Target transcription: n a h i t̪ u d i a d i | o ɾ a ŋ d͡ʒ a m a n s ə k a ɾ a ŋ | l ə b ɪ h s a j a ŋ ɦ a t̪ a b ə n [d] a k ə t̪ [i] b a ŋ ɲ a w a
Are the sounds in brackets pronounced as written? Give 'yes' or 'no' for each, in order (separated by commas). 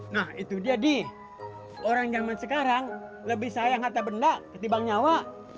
yes, yes